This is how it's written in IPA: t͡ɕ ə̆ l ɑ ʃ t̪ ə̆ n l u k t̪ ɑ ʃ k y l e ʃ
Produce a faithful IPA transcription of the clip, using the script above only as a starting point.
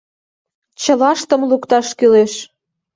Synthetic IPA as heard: t͡ɕ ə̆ l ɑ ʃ t̪ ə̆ m l u k t̪ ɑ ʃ k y l e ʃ